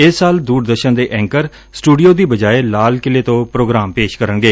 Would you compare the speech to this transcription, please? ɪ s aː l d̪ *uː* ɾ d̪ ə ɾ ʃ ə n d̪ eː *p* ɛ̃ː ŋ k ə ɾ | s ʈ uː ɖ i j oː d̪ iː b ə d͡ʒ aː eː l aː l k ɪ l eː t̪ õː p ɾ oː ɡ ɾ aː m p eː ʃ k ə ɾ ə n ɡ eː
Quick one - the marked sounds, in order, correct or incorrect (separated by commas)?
correct, incorrect